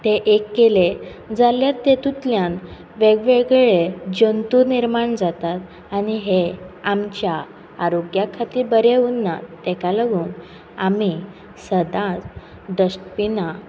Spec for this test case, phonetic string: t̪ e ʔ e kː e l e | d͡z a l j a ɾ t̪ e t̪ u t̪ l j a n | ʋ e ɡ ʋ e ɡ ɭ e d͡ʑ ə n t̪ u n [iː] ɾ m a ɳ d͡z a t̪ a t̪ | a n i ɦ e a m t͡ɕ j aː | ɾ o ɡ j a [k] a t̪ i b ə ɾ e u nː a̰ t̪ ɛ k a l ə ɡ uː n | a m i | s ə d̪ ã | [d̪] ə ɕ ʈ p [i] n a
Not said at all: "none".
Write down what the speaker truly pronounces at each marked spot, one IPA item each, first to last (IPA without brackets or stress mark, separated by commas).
i, kʰ, d̪, i